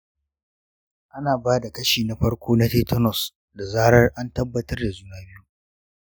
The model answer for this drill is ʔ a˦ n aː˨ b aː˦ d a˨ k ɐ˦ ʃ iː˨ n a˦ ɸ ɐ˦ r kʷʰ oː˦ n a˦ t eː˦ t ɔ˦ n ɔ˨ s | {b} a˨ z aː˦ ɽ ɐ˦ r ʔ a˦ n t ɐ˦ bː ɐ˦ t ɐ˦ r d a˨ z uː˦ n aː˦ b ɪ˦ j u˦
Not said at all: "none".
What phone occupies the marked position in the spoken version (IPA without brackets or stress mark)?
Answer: d